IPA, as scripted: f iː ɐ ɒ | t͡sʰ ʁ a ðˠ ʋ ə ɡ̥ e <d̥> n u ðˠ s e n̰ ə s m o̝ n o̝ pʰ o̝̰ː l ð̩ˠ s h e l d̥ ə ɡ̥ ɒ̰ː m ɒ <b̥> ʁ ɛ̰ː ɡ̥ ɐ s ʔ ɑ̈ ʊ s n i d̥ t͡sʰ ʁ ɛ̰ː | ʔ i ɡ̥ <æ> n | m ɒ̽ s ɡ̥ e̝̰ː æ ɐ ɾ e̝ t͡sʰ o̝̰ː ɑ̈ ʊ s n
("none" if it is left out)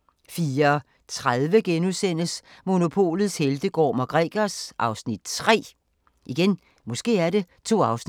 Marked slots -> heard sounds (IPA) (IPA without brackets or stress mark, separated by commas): none, ɡ̥, e